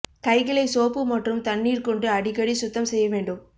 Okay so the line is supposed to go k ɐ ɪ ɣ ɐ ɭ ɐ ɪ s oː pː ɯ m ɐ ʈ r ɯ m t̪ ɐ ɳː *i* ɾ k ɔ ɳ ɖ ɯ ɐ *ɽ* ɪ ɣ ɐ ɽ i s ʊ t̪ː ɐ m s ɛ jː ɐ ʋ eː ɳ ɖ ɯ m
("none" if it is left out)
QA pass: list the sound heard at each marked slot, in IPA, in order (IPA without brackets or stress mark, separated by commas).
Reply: iː, ɽ